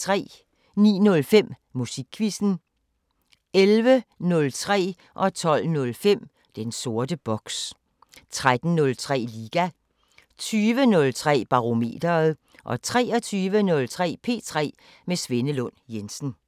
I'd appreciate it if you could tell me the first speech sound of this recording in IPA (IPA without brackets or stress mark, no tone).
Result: t͡sʰ